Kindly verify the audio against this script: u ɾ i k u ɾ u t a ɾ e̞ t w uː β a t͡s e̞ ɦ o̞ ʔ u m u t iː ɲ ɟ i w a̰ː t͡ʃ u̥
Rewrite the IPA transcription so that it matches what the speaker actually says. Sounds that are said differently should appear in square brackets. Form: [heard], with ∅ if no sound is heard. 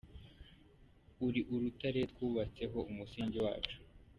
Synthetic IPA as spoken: u ɾ i [ʔ] u ɾ u t a ɾ e̞ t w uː β a t͡s e̞ ɦ o̞ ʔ u m u [s] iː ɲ ɟ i w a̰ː t͡ʃ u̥